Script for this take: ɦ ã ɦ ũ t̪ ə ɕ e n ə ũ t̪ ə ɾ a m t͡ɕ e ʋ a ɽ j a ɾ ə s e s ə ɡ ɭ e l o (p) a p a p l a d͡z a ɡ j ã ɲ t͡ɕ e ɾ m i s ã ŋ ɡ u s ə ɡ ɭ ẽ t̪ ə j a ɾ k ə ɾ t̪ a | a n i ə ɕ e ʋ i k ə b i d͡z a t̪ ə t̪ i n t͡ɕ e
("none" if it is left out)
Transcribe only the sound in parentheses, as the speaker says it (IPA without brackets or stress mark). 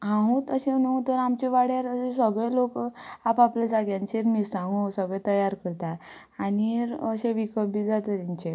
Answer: k